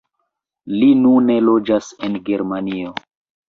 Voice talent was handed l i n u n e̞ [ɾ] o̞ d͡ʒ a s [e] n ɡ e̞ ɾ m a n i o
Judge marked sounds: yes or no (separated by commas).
no, yes